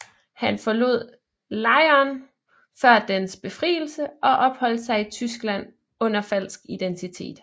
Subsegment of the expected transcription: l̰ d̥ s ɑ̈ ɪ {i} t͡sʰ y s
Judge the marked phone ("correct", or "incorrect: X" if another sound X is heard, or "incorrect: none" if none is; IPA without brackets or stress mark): correct